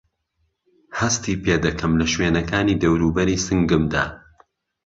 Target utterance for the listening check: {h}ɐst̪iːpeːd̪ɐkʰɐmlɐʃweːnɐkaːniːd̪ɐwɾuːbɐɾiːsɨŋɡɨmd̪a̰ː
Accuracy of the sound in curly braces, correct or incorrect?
correct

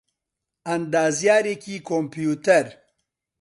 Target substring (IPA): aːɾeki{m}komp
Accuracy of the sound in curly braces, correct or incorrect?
incorrect: none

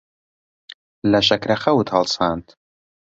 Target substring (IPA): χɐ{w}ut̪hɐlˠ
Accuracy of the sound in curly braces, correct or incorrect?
correct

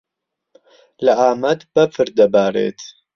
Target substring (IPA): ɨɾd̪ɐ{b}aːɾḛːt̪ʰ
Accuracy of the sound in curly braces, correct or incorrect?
correct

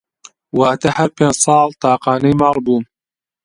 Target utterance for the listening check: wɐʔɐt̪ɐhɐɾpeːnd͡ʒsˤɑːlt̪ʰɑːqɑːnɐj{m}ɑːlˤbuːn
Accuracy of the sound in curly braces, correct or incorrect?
correct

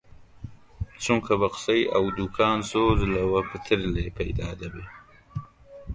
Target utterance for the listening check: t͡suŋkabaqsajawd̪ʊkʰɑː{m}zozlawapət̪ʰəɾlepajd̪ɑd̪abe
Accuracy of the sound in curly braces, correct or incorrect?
incorrect: n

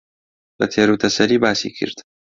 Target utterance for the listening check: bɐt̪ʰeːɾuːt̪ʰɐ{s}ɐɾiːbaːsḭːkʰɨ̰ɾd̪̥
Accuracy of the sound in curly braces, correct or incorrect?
correct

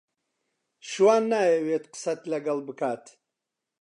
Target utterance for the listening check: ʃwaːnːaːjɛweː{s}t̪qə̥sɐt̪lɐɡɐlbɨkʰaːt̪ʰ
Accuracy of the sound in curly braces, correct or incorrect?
incorrect: none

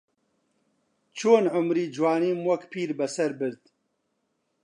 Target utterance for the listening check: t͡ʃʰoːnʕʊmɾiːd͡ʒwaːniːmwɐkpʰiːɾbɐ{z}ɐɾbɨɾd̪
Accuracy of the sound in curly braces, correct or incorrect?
incorrect: s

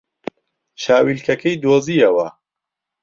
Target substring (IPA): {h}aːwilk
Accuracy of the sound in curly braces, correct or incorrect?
incorrect: ʃ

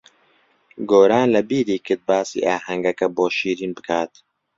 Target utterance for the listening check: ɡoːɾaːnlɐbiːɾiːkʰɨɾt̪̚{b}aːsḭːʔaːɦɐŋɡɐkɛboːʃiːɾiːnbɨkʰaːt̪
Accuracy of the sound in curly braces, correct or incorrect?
correct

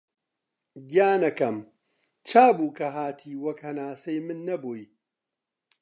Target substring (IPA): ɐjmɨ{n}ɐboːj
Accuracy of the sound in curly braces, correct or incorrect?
incorrect: nː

